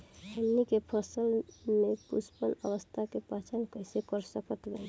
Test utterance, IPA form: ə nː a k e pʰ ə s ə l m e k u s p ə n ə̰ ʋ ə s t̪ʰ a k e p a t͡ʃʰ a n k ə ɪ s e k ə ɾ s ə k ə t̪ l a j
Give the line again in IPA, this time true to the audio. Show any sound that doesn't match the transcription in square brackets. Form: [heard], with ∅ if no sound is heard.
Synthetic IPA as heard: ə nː [i] k e pʰ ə s ə l m e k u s p ə n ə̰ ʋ ə s t̪ʰ a k e p a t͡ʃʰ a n k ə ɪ s e k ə ɾ s ə k ə t̪ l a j

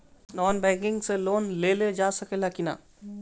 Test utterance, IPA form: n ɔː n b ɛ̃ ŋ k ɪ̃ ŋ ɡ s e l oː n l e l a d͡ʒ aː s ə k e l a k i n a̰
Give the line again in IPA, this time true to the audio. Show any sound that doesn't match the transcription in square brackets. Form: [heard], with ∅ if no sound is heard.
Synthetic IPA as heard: n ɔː n b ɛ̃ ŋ k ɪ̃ ŋ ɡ s e l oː n l e l [e] d͡ʒ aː s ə k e l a k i n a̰

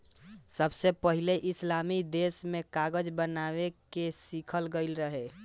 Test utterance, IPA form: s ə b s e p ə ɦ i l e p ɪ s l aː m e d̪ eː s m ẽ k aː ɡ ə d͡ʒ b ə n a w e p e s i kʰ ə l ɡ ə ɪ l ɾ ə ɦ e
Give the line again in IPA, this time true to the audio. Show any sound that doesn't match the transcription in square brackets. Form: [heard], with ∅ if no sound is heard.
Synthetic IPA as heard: s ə b s e p ə ɦ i l e [ʔ] ɪ s l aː m [i] d̪ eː s m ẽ k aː ɡ ə d͡ʒ b ə n a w e [k] e s i kʰ ə l ɡ ə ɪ l ɾ ə ɦ e

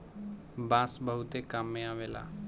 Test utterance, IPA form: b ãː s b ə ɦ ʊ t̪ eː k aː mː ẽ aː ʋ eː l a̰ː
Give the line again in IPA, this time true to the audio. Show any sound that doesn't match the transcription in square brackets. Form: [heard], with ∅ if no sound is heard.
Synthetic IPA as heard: b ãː s b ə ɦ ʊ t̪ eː k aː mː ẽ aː ʋ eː l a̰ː

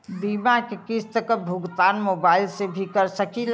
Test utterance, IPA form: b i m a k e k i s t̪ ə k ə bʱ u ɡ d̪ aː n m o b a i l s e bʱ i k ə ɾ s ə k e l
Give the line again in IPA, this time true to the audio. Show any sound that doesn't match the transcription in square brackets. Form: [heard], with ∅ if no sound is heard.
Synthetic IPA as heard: b i m a k e k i s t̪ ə k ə bʱ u ɡ [t̪] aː n m o b a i l s e bʱ i k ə ɾ s ə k [i] l

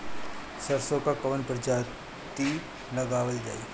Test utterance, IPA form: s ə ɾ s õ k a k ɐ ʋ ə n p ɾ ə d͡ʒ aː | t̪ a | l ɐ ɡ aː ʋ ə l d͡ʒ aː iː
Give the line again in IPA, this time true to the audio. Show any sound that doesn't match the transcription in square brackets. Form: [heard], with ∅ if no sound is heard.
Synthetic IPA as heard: s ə ɾ s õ k a k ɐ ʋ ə n p ɾ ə d͡ʒ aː | t̪ [i] | l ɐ ɡ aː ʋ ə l d͡ʒ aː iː

